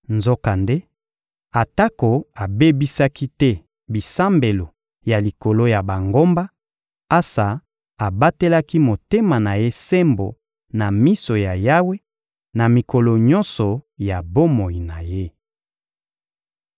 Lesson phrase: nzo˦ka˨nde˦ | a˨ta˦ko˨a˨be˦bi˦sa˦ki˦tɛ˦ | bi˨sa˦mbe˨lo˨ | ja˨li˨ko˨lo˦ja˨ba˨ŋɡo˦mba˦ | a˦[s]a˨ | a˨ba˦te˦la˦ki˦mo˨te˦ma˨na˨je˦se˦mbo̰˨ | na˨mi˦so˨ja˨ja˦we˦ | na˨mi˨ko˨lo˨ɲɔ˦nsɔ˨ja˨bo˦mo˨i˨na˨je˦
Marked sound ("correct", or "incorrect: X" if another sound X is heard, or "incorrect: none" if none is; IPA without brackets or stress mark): correct